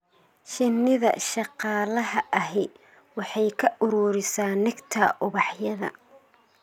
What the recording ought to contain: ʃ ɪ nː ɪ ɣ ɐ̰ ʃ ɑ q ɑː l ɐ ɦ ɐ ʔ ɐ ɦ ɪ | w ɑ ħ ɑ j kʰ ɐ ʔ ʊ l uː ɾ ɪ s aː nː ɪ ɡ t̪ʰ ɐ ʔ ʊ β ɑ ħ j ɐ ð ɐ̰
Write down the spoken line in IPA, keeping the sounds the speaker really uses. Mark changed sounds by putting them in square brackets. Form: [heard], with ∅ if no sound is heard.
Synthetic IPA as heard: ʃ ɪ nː ɪ [ð] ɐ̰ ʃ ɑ q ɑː l ɐ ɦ ɐ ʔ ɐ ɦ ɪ | w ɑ ħ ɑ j kʰ ɐ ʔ ʊ [ɾ] uː ɾ ɪ s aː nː ɪ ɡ t̪ʰ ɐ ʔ ʊ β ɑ ħ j ɐ ð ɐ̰